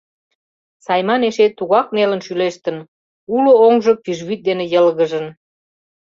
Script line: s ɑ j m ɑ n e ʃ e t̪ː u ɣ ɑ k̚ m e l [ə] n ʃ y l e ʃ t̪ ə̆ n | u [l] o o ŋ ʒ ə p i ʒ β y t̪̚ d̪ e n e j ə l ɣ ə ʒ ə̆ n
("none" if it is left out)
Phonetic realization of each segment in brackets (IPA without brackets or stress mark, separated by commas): ə, l